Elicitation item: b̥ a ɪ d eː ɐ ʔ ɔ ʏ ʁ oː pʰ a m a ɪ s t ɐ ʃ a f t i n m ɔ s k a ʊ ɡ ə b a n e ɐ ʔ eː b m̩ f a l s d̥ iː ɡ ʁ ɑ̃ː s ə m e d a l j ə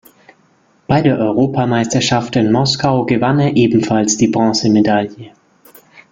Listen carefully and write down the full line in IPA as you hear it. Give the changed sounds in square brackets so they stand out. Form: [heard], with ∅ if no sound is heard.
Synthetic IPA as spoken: b̥ a ɪ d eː ɐ ʔ ɔ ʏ ʁ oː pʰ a m a ɪ s t ɐ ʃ a f t [ɪ] n m ɔ s k a ʊ ɡ ə [v] a n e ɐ ʔ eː b m̩ f a l s d̥ iː [b] ʁ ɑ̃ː s ə m e d a l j ə